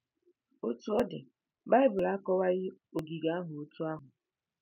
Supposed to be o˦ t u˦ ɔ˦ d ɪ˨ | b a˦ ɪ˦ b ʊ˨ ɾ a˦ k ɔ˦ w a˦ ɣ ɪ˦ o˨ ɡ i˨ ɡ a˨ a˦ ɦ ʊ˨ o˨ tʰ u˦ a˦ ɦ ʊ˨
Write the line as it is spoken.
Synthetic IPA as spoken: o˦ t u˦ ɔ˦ d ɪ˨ | b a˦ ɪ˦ b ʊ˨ l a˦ k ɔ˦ w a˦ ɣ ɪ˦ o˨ ɡ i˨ ɡ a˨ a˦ ɦ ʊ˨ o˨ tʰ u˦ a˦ ɦ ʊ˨